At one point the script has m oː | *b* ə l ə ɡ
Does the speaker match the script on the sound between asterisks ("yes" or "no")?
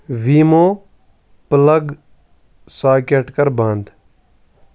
no